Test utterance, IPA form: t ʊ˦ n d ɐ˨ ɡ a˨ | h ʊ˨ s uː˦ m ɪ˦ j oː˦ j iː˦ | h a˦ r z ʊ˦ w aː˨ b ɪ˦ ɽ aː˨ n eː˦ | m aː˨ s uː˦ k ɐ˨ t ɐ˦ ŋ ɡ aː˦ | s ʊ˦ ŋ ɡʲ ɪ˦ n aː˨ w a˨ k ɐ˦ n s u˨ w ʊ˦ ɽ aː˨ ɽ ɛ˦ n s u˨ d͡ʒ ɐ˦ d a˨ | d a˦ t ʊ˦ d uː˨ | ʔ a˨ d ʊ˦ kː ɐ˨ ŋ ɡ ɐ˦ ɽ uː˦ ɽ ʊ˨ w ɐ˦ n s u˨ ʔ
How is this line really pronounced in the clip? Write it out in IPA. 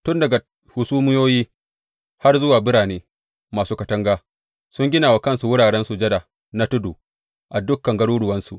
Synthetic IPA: t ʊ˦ n d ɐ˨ ɡ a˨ | h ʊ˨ s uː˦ m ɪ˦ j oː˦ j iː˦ | h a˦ r z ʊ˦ w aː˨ b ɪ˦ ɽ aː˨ n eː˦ | m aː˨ s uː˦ k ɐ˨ t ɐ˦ ŋ ɡ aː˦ | s ʊ˦ ŋ ɡʲ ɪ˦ n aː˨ w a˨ k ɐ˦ n s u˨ w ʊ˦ ɽ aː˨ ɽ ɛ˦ n s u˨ d͡ʒ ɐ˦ d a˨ | n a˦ t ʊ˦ d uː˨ | ʔ a˨ d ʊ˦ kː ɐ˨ ŋ ɡ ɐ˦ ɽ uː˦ ɽ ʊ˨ w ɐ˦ n s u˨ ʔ